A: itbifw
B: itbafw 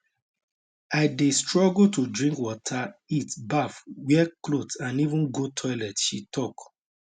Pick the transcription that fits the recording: B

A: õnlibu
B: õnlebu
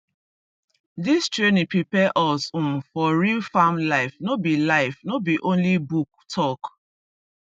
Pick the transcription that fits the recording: A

